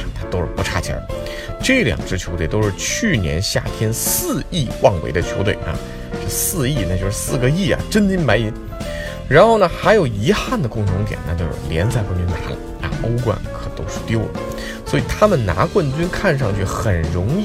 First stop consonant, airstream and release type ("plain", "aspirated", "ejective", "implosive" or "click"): aspirated